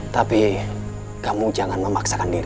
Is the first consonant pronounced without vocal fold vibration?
yes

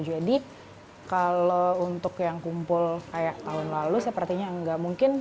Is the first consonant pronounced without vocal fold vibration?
no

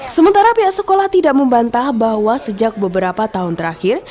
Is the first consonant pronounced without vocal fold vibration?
yes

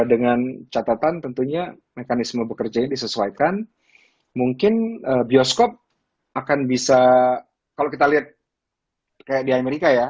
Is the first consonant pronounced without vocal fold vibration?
no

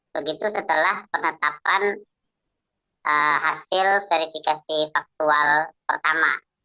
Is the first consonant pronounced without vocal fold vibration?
no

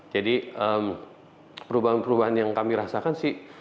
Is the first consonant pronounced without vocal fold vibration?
no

